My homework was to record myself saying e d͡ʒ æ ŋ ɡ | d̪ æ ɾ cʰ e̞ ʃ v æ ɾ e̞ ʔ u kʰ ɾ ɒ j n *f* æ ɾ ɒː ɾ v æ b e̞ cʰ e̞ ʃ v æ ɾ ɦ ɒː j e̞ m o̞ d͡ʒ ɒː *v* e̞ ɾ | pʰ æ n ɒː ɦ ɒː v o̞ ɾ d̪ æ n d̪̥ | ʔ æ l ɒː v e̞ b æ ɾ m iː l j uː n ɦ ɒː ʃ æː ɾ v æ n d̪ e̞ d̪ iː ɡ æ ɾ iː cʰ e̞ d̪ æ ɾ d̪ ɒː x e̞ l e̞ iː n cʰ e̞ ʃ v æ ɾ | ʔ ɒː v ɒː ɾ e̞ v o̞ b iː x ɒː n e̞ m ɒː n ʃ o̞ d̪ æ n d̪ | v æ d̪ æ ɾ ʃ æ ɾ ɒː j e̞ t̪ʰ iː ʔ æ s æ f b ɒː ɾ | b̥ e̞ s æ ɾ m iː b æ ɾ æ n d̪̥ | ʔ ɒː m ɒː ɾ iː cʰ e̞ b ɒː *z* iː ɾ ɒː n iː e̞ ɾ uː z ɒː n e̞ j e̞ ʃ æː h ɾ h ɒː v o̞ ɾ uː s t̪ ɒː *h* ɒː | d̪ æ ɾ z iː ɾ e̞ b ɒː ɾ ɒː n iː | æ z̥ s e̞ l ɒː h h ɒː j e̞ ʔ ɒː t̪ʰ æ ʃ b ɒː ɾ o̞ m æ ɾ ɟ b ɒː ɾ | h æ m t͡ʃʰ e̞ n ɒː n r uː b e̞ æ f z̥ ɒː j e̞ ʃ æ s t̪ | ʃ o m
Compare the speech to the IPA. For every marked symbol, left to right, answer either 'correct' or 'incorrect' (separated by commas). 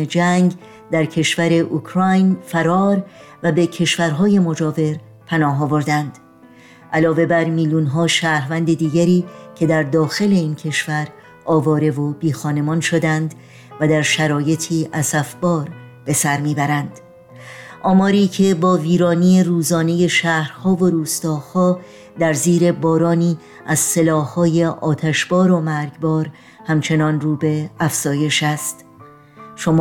correct, correct, incorrect, correct